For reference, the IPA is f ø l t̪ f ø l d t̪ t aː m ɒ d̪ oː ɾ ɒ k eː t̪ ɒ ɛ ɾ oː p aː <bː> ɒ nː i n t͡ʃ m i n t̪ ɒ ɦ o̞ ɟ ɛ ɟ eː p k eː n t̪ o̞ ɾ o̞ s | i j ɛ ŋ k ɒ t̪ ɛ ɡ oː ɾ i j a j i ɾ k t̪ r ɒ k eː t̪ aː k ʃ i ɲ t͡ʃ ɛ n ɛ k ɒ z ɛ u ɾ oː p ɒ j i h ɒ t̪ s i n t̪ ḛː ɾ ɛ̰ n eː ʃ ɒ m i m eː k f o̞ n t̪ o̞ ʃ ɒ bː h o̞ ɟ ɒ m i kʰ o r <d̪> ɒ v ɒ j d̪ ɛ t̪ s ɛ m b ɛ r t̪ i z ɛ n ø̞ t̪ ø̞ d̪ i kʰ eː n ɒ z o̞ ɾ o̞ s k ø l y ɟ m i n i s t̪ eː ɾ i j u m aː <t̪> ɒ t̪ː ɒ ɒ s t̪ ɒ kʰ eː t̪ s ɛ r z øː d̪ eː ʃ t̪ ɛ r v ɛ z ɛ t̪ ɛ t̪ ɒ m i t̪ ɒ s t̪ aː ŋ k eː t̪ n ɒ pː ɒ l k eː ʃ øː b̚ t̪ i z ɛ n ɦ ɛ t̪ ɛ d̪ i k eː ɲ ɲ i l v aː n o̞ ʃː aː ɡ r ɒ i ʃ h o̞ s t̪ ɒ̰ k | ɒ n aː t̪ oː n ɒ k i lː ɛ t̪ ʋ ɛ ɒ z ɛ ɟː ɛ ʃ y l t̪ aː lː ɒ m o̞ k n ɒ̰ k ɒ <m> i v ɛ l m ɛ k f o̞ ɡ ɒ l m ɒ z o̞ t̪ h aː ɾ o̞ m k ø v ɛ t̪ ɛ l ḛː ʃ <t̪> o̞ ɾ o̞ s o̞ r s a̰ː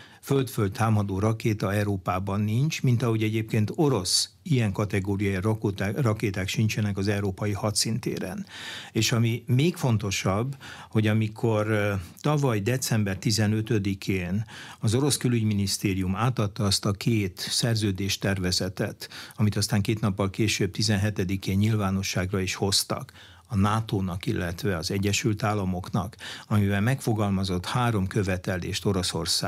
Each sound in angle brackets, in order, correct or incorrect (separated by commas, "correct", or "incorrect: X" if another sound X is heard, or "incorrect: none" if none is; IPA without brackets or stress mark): incorrect: b, incorrect: t̪, correct, correct, correct